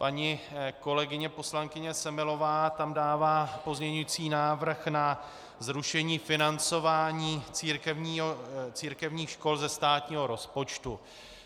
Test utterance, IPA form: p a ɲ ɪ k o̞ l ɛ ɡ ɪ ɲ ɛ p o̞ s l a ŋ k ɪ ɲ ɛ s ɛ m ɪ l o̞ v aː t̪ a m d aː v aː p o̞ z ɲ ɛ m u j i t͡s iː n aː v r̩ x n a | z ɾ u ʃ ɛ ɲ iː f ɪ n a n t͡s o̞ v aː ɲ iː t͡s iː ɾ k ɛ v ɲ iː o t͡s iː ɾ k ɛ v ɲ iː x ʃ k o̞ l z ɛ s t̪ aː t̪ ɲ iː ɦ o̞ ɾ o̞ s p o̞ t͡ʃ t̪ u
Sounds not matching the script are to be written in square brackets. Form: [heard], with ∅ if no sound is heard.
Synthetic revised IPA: p a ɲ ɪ k o̞ l ɛ ɡ ɪ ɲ ɛ p o̞ s l a ŋ k ɪ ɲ ɛ s ɛ m ɪ l o̞ v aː t̪ a m d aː v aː p o̞ z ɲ ɛ [ɲ] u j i t͡s iː n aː v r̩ x n a | z ɾ u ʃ ɛ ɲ iː f ɪ n a n t͡s o̞ v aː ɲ iː t͡s iː ɾ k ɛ v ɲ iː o t͡s iː ɾ k ɛ v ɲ iː x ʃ k o̞ l z ɛ s t̪ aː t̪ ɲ iː ɦ o̞ ɾ o̞ s p o̞ t͡ʃ t̪ u

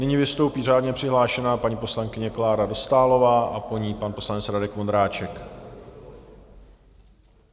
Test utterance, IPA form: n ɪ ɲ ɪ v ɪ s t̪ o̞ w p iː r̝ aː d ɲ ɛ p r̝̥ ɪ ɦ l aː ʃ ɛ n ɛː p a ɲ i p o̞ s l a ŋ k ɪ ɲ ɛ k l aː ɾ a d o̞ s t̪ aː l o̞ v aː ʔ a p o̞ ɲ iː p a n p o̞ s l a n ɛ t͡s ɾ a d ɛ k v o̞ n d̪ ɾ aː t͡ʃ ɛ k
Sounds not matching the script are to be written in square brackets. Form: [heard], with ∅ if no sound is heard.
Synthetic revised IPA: n ɪ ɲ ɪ v ɪ s t̪ o̞ w p iː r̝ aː d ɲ ɛ p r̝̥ ɪ ɦ l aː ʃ ɛ n [aː] p a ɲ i p o̞ s l a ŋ k ɪ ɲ ɛ k l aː ɾ a d o̞ s t̪ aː l o̞ v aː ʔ a p o̞ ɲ iː p a n p o̞ s l a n ɛ t͡s ɾ a d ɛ k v o̞ n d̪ ɾ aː t͡ʃ ɛ k

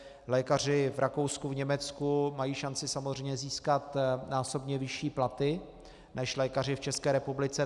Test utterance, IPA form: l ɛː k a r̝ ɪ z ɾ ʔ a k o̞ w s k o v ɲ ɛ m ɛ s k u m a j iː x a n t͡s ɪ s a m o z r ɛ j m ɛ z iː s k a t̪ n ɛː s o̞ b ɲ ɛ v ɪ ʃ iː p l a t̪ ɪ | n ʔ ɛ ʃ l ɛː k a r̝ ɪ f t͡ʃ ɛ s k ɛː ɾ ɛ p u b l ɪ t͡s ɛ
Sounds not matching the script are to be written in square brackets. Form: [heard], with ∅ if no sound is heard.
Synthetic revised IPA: l ɛː k a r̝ ɪ [v] ɾ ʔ a k o̞ w s k [u] v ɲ ɛ m ɛ [t͡s] k u m a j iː [ʃ] a n t͡s ɪ s a m o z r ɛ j [ɲ] ɛ z iː s k a t̪ n [aː] s o̞ b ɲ ɛ v ɪ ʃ iː p l a t̪ ɪ | n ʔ ɛ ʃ l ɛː k a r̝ ɪ f t͡ʃ ɛ s k ɛː ɾ ɛ p u b l ɪ t͡s ɛ

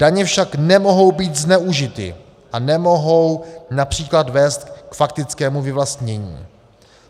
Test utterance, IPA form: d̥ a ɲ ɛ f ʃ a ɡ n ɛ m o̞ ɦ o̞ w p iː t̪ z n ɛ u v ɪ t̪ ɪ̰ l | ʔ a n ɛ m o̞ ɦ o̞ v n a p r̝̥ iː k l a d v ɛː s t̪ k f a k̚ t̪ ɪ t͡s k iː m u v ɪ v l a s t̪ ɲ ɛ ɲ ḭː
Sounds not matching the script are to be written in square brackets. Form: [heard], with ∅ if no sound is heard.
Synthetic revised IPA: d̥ a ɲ ɛ f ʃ a [k] n ɛ m o̞ ɦ o̞ w [b] iː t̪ z n ɛ u [ʒ] ɪ t̪ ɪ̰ [∅] | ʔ a n ɛ m o̞ ɦ o̞ [w] n a p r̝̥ iː k l a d v ɛː s t̪ k f a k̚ t̪ ɪ t͡s k [ɛː] m u v ɪ v l a s t̪ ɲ ɛ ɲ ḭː

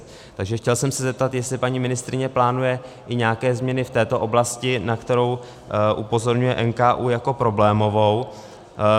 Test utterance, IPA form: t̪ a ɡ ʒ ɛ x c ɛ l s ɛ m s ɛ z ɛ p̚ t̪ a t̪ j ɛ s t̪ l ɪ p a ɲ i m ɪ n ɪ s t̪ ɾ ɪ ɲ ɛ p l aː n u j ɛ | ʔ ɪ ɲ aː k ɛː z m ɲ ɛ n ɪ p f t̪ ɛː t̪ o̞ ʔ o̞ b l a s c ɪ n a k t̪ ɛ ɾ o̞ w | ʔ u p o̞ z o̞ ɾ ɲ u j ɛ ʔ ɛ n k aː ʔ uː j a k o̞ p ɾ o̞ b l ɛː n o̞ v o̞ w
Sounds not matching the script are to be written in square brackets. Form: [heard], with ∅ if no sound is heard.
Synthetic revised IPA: t̪ a ɡ ʒ ɛ x c ɛ l s ɛ m s ɛ z ɛ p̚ t̪ a t̪ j ɛ s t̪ l ɪ p a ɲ i m ɪ n ɪ s t̪ ɾ ɪ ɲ ɛ p l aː n u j ɛ | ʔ ɪ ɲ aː k ɛː z m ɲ ɛ n ɪ [∅] f t̪ ɛː t̪ o̞ ʔ o̞ b l a s c ɪ n a k t̪ ɛ ɾ o̞ w | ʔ u p o̞ z o̞ ɾ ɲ u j ɛ ʔ ɛ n k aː ʔ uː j a k o̞ p ɾ o̞ b l ɛː [m] o̞ v o̞ w

